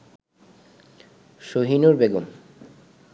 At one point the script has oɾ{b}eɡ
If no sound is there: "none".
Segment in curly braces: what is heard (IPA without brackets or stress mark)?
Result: b